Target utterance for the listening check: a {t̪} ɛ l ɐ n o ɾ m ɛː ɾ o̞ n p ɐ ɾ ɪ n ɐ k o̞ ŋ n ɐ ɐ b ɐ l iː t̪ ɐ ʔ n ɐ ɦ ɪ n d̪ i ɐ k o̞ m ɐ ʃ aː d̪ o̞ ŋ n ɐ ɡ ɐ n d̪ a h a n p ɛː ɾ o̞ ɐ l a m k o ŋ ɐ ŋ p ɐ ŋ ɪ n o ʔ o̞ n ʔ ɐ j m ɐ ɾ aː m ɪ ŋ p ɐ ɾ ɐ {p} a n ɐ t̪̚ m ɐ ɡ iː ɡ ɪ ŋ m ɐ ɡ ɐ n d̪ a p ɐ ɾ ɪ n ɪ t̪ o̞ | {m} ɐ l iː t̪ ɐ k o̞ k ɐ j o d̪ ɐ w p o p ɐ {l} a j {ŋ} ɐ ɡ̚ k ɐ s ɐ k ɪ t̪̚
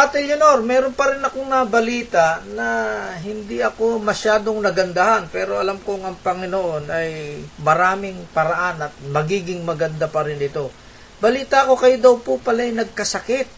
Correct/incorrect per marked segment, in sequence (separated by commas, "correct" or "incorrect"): correct, incorrect, incorrect, correct, incorrect